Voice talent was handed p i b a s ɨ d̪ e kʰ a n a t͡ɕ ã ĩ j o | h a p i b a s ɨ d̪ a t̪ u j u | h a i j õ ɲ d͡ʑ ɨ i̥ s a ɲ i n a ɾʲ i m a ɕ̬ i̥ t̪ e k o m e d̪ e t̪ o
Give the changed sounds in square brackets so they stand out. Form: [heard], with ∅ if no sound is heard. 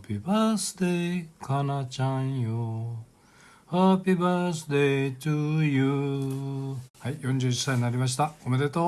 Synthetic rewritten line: p i b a s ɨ d̪ e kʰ a n a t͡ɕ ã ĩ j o | h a p i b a s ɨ d̪ [e] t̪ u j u | h a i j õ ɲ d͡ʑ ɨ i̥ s a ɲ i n a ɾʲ i m a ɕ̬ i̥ t̪ [a] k o m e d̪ e t̪ o